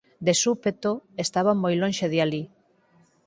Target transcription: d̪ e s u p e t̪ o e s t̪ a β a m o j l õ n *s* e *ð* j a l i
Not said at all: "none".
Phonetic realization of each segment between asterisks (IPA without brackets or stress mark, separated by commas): ʃ, ð